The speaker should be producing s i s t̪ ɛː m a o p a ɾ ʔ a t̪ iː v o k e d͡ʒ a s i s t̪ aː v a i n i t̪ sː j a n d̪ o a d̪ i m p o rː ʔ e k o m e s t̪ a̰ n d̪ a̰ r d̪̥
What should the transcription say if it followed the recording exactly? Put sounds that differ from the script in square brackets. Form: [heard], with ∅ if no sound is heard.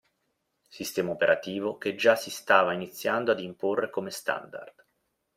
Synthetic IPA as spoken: s i s t̪ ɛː m a o p [e] ɾ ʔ a t̪ iː v o k e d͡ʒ a s i s t̪ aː v a i n i t̪ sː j a n d̪ o a d̪ i m p o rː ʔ e k o m e s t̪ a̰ n d̪ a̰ r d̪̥